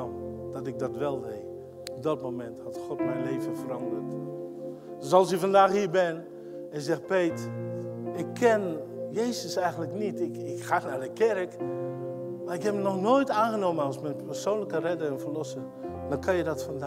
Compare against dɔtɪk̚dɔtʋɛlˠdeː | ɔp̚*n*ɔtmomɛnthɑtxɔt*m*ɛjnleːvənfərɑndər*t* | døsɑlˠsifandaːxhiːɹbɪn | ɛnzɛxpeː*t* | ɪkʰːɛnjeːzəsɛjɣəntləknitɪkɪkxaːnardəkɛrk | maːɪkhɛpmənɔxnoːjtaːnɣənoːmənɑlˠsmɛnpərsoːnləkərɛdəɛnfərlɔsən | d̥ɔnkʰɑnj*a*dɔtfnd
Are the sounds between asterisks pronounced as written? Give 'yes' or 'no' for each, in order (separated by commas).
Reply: no, yes, yes, yes, no